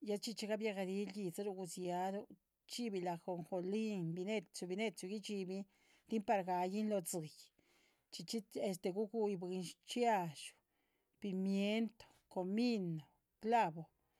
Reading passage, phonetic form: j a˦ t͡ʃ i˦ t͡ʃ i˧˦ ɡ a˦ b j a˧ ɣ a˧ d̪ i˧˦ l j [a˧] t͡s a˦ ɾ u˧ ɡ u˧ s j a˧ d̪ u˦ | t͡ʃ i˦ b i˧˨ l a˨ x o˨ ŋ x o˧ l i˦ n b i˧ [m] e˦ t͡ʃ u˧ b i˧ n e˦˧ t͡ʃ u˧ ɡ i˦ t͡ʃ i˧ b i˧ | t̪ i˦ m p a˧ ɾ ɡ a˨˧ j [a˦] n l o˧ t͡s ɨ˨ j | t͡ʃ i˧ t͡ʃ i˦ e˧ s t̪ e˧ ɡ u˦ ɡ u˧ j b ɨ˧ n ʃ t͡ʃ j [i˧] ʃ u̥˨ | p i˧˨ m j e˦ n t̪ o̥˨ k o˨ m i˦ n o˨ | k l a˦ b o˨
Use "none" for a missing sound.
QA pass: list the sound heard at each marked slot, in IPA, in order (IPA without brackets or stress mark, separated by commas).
i˧, n, i˦, a˧